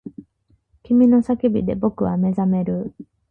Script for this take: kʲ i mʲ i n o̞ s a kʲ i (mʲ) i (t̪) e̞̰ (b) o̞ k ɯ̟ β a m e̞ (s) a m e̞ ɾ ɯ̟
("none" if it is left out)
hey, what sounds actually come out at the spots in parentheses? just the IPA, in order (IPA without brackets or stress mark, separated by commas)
bʲ, d̪, b, z